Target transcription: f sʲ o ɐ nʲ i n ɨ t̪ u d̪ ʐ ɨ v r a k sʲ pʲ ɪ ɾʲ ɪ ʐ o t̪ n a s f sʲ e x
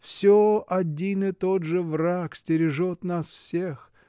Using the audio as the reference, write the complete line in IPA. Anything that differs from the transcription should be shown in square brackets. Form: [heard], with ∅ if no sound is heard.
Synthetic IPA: f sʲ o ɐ [dʲ] i n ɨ t̪ [o] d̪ ʐ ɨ v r a k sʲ [tʲ] ɪ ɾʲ ɪ ʐ o t̪ n a s f sʲ e x